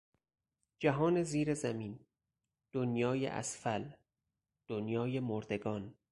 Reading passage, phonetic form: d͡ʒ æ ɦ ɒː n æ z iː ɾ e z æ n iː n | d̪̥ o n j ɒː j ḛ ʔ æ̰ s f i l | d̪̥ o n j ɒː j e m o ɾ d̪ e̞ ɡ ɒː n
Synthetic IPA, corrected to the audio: d͡ʒ æ ɦ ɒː n e z iː ɾ e z æ m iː n | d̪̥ o n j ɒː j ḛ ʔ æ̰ s f æ l | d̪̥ o n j ɒː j e m o ɾ d̪ e̞ ɡ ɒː n

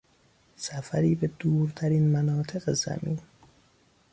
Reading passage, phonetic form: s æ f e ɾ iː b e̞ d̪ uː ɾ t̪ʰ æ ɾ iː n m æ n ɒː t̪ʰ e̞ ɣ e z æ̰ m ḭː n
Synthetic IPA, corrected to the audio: s æ f æ ɾ iː b e̞ d̪ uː ɾ t̪ʰ æ ɾ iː n m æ n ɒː t̪ʰ e̞ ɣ e z æ̰ m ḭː n

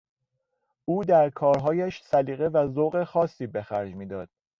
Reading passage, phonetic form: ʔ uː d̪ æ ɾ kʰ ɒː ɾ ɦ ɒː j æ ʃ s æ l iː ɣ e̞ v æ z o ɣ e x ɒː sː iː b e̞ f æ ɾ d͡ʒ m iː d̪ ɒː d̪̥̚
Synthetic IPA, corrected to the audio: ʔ uː d̪ æ ɾ kʰ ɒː ɾ ɦ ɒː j æ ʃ s æ l iː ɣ e̞ v æ z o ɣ e x ɒː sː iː b e̞ x æ ɾ d͡ʒ m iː d̪ ɒː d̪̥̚

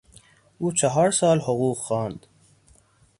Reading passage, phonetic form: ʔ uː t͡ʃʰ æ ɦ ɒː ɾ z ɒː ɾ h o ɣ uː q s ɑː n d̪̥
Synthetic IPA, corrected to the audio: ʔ uː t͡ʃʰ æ ɦ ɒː ɾ s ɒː l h o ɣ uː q x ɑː n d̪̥

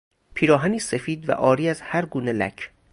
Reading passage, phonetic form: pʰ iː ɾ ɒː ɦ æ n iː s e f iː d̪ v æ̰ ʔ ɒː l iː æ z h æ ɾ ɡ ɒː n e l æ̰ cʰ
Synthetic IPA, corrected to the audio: pʰ iː ɾ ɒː ɦ æ n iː s e f iː d̪ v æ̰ ʔ ɒː ɾ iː æ z h æ ɾ ɡ uː n e l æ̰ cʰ

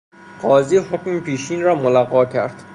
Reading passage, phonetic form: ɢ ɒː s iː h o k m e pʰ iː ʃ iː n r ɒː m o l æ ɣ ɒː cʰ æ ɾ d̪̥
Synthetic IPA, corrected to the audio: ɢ ɒː z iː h o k m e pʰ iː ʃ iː n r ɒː m o l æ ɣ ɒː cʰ æ ɾ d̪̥

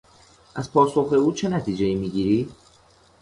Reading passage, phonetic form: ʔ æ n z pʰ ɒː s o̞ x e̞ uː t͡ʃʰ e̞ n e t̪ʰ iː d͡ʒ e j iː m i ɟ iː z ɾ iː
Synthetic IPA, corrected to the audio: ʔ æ z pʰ ɒː s o̞ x e̞ uː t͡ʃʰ e̞ n æ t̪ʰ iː d͡ʒ e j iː m i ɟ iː ɾ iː

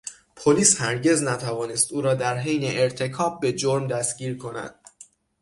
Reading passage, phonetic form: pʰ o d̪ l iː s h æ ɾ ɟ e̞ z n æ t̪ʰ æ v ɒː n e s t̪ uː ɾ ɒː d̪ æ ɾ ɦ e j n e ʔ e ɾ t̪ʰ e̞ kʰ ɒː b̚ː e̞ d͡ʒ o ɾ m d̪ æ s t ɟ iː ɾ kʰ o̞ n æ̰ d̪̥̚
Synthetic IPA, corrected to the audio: pʰ o l iː s h æ ɾ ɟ e̞ z n æ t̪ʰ æ v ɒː n e s t̪ uː ɾ ɒː d̪ æ ɾ ɦ e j n e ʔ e ɾ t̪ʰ e̞ kʰ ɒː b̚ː e̞ d͡ʒ o ɾ m d̪ æ s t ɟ iː ɾ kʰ o̞ n æ̰ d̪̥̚

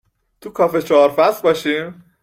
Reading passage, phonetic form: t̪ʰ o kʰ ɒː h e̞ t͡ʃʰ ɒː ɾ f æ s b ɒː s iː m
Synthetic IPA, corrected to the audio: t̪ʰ u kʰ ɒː f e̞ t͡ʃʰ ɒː ɾ f æ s b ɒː ʃ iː m

